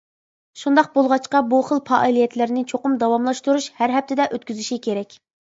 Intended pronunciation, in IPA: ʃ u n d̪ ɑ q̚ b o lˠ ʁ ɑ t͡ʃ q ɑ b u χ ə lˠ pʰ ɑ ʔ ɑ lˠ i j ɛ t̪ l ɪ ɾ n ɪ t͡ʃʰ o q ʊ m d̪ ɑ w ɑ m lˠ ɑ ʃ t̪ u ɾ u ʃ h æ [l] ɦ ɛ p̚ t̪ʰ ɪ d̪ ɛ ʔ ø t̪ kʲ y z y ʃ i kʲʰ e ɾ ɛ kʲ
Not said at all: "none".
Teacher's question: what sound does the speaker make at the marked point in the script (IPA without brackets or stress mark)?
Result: ɾ